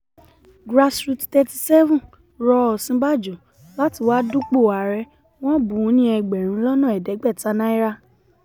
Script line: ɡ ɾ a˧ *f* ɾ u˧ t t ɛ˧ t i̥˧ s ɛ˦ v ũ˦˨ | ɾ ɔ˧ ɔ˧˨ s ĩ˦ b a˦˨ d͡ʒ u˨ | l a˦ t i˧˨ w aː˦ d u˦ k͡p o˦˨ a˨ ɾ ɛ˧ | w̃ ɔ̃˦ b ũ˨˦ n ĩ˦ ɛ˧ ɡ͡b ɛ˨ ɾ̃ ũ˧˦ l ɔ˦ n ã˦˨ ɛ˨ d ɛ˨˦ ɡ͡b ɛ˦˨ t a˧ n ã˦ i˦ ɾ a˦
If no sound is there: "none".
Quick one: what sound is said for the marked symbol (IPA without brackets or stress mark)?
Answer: s